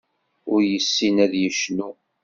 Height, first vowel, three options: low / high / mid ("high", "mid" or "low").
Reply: high